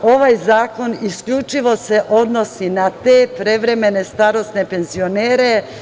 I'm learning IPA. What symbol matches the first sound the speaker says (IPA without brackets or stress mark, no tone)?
o̞